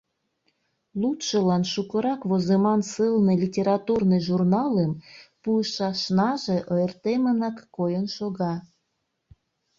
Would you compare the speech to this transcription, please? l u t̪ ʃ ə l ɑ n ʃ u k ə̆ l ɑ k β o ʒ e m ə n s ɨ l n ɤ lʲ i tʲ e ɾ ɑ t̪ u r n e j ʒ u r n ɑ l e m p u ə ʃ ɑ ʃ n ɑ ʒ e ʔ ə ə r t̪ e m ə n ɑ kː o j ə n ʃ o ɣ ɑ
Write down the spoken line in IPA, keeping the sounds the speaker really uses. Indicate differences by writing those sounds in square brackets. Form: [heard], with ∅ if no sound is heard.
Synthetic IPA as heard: l u t̪ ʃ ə l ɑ n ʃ u k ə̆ [ɾ] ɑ k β o [z] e m [ɑ] n s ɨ l n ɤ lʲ i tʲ e ɾ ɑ t̪ u r n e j ʒ u r n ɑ l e m p u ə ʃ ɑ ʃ n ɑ ʒ e ʔ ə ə r t̪ e m ə n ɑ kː o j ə n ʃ o ɣ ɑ